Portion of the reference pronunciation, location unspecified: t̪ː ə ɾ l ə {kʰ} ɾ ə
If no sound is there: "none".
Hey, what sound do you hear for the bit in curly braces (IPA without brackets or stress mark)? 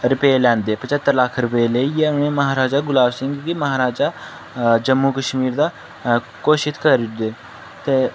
kʰ